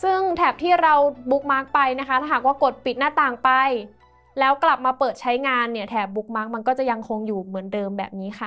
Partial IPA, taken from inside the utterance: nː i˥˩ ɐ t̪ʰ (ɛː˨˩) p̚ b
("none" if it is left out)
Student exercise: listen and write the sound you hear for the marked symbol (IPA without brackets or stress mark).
ɛː˨˩